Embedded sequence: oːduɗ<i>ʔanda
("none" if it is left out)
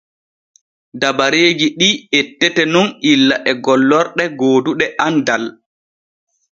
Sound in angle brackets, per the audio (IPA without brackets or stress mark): ɛ